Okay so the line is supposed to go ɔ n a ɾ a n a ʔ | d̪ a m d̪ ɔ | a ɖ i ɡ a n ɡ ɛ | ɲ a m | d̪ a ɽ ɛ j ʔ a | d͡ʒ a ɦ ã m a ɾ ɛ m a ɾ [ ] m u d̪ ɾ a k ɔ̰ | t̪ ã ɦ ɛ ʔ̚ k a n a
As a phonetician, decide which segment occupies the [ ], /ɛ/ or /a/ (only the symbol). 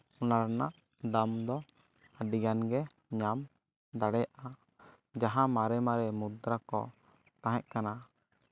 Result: ɛ